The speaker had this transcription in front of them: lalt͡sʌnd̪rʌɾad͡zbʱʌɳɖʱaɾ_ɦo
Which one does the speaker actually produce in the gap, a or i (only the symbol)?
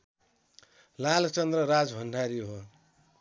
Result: i